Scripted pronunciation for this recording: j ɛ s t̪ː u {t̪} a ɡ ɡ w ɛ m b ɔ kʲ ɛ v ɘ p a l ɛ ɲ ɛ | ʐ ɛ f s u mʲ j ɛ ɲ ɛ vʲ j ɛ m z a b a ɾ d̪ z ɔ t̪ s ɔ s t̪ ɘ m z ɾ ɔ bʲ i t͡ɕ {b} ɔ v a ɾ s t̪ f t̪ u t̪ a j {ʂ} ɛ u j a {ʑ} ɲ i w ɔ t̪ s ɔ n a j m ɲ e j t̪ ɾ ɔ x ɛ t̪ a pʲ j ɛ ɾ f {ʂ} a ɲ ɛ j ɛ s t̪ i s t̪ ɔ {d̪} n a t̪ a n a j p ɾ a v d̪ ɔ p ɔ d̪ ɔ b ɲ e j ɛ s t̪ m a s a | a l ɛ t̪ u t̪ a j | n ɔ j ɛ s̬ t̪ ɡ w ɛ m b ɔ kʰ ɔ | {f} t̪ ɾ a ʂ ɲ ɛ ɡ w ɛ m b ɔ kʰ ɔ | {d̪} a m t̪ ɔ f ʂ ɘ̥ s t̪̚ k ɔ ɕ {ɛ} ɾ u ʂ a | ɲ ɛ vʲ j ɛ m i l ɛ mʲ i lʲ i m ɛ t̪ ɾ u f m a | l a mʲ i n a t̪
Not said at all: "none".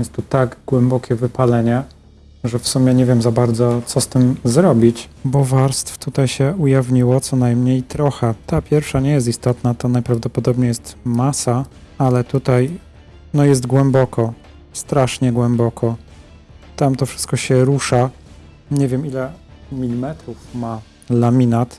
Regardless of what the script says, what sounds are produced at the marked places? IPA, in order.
t̪, b, ɕ, v, ʂ, t̪, s, t̪, ɛ

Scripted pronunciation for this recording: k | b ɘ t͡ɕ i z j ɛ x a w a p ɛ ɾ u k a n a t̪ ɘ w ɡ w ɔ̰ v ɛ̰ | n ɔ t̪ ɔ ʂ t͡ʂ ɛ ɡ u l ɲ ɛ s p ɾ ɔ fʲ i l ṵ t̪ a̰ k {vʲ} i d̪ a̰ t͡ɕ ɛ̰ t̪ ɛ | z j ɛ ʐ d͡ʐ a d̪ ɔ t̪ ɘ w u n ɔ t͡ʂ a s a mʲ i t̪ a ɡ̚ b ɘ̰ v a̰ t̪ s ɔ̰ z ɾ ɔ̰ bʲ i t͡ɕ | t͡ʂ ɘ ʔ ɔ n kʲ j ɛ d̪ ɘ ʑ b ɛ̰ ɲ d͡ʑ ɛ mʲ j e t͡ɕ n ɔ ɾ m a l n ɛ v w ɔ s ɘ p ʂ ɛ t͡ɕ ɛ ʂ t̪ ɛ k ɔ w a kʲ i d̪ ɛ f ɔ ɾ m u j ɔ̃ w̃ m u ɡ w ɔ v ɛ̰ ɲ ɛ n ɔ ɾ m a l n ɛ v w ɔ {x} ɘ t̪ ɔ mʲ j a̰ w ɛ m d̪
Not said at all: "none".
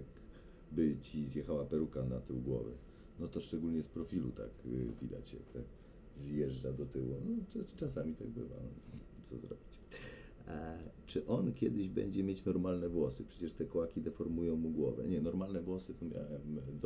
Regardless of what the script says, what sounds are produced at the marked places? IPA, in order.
vʲ, s

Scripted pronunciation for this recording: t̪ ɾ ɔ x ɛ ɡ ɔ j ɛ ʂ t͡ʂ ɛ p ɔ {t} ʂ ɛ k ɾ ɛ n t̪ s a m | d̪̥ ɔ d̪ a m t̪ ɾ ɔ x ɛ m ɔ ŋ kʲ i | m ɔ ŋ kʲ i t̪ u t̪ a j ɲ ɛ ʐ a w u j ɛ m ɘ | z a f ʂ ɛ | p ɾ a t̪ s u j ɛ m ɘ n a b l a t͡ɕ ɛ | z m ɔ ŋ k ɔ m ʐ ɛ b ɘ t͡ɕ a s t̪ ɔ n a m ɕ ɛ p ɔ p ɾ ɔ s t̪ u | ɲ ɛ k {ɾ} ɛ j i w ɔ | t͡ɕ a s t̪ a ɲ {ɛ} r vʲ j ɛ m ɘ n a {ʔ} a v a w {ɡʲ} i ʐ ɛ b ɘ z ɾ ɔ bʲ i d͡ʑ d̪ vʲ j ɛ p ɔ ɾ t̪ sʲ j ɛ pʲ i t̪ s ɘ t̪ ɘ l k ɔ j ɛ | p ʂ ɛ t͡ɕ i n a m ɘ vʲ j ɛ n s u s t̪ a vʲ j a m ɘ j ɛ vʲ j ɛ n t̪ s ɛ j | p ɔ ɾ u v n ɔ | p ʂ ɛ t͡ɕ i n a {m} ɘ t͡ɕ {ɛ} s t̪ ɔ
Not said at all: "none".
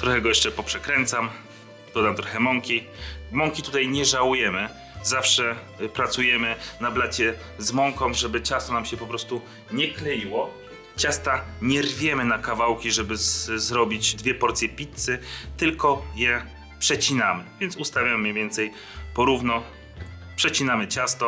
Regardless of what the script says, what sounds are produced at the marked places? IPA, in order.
p, l, ɛ, k, kʲ, m, a

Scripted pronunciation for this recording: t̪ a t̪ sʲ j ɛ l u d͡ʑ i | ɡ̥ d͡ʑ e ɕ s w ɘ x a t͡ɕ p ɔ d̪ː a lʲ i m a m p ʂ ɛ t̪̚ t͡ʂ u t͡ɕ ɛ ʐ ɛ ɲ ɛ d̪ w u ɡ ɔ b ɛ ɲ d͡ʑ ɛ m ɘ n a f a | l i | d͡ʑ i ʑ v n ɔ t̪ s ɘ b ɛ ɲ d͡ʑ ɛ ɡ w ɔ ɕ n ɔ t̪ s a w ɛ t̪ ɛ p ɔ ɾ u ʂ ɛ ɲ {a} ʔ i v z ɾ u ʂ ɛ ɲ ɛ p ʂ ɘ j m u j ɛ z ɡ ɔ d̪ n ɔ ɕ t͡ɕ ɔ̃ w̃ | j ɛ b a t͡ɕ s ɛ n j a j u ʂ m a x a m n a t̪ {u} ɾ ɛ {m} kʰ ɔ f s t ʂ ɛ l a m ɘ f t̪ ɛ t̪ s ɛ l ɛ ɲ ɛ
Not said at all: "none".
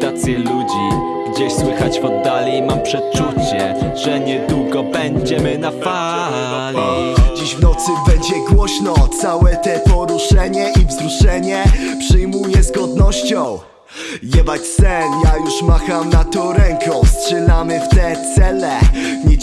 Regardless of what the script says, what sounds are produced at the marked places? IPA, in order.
ɛ, ɔ, ŋ

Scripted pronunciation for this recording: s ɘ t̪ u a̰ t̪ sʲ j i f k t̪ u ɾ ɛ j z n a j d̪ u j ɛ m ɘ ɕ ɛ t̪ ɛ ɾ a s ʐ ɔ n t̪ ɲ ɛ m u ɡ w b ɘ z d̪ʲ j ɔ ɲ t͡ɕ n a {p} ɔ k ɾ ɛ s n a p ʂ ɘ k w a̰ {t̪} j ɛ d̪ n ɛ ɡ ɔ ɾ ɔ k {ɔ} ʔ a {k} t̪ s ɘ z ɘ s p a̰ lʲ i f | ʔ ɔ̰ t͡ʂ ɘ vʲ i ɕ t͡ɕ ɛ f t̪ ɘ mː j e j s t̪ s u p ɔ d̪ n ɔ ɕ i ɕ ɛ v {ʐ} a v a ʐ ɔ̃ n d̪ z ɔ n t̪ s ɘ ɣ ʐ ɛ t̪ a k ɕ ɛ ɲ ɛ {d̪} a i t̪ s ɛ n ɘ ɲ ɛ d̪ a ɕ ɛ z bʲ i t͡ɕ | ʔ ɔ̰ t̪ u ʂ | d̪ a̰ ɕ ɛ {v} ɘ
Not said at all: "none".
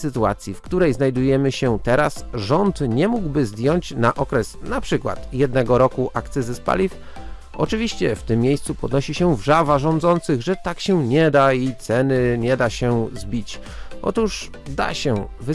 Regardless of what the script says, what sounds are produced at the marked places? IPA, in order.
ʔ, t̪, u, k, ʐ, d̪, v

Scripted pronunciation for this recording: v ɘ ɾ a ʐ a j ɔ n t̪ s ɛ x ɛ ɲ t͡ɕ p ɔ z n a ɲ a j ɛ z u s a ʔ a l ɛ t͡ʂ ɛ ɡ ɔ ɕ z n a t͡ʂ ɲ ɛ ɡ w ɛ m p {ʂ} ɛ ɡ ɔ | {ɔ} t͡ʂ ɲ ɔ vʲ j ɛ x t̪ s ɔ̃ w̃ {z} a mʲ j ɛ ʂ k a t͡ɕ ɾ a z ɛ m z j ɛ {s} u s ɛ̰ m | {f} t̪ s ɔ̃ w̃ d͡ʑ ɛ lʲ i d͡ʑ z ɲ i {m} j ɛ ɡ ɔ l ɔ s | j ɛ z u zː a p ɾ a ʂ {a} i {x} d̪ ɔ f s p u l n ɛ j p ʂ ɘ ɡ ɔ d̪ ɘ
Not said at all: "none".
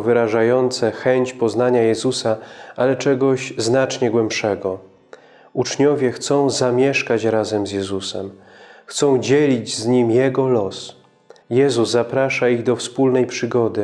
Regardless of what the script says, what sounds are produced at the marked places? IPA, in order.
ʂ, u, z, z, x, m, a, ɣ

